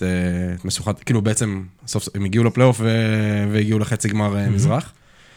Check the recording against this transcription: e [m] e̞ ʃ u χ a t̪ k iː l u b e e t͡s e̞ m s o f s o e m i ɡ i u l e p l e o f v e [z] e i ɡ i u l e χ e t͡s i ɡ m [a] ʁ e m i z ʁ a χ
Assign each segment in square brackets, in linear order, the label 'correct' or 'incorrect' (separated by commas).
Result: correct, incorrect, correct